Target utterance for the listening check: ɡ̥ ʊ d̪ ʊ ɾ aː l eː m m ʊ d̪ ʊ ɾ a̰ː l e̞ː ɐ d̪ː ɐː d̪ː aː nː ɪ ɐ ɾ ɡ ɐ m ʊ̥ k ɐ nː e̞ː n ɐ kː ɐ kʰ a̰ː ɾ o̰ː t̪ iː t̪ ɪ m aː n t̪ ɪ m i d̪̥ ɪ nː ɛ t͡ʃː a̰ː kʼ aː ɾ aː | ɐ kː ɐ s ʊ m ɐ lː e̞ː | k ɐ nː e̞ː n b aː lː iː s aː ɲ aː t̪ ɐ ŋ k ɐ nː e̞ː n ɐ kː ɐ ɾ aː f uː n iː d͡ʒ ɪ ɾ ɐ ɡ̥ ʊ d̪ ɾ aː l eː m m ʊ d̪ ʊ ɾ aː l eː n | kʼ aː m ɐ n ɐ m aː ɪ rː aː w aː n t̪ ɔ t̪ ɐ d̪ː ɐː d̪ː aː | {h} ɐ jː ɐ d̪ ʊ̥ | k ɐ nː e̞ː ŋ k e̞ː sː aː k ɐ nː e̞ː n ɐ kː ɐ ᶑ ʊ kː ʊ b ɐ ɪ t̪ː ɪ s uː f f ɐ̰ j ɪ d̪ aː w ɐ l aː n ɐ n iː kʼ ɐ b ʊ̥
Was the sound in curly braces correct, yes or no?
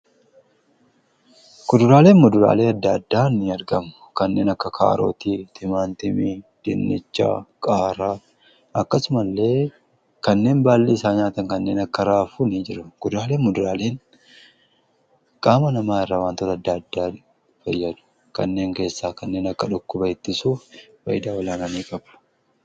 no